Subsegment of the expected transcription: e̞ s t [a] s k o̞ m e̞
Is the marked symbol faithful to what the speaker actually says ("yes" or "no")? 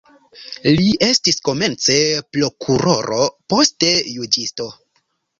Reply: no